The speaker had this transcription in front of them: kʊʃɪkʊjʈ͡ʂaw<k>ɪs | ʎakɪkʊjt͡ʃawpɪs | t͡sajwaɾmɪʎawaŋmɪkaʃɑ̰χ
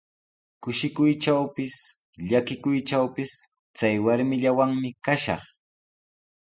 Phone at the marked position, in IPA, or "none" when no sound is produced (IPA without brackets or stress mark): p